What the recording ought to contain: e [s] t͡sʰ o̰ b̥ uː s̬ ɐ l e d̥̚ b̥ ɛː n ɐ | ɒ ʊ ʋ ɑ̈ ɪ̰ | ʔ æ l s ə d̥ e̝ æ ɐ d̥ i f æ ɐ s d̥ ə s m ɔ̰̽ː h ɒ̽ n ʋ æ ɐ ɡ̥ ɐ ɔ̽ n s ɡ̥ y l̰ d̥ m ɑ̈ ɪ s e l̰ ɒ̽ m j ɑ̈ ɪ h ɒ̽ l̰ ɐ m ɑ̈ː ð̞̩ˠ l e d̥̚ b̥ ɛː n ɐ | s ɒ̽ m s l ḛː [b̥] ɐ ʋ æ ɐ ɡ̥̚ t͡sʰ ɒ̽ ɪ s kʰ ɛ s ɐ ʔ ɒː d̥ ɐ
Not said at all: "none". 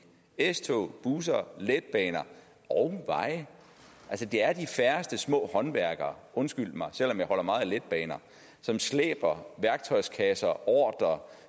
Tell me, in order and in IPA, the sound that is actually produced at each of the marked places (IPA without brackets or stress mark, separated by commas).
s, b̥